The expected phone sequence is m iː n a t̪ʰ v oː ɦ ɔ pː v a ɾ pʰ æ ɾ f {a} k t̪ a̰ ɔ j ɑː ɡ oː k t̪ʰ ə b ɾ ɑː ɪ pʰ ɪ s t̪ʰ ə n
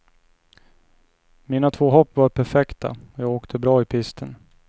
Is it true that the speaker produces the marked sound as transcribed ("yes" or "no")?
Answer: no